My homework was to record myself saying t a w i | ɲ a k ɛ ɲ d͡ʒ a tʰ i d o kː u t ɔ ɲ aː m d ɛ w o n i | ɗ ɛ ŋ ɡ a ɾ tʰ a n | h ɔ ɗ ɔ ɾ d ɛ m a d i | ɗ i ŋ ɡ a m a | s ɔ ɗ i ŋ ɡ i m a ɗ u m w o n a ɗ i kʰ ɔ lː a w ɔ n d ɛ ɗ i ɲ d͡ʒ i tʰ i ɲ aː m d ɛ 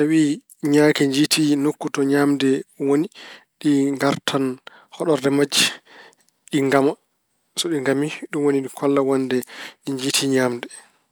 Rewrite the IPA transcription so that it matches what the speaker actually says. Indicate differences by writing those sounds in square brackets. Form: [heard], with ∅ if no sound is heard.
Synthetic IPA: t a w i | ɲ a k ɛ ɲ d͡ʒ [i] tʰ i [n] o kː u t ɔ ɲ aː m d ɛ w o n i | ɗ [i] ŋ ɡ a ɾ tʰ a n | h ɔ ɗ ɔ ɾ d ɛ m a [d͡ʒ] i | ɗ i ŋ ɡ a m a | s ɔ ɗ i ŋ ɡ [a] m [i] ɗ u m w o n [i] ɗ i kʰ ɔ lː a w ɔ n d ɛ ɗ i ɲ d͡ʒ i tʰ i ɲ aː m d ɛ